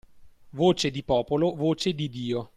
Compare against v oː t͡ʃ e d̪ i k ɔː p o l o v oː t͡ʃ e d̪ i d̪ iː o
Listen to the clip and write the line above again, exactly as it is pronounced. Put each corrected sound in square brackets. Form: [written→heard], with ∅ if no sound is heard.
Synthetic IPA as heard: v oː t͡ʃ e d̪ i [k→p] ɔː p o l o v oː t͡ʃ e d̪ i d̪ iː o